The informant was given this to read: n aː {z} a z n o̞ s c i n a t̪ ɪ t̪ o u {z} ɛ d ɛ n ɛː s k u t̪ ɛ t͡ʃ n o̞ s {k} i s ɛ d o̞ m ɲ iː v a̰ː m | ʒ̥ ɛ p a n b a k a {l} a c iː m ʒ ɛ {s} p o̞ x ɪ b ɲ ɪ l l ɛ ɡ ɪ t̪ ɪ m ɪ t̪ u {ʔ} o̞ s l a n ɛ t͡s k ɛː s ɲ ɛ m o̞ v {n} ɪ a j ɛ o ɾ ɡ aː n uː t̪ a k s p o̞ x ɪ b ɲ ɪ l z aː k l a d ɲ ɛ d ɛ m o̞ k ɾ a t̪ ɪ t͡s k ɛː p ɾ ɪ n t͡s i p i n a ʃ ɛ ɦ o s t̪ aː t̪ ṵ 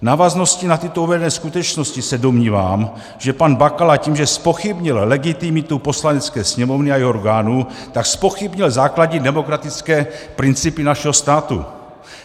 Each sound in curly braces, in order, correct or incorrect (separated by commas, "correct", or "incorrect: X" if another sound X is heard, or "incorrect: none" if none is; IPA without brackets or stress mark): incorrect: v, incorrect: v, incorrect: c, correct, correct, incorrect: p, correct